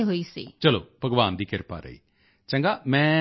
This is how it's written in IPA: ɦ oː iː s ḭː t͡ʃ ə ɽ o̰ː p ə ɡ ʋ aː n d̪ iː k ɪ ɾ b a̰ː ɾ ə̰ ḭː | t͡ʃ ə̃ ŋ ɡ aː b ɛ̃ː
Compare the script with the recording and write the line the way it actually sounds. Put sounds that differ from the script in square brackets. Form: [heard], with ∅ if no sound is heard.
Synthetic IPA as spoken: ɦ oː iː s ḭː t͡ʃ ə [l] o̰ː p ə ɡ ʋ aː n d̪ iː k ɪ ɾ [p] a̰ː ɾ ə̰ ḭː | t͡ʃ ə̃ ŋ ɡ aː [m] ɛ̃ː